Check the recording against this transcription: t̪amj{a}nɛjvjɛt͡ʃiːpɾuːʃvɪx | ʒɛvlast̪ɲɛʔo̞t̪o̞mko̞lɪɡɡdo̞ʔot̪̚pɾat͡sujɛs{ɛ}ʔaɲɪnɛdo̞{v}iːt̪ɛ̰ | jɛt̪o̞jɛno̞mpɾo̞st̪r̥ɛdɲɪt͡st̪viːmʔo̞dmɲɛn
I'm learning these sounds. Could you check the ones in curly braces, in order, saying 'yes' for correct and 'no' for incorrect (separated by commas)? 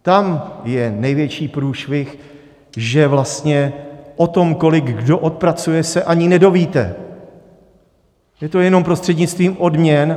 no, yes, yes